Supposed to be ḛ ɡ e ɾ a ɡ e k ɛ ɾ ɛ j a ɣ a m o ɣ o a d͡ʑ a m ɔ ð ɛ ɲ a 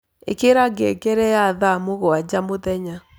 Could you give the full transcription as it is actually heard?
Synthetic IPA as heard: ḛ k e ɾ a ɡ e k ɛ ɾ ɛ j a ð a m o ɣ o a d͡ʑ a m o ð ɛ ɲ a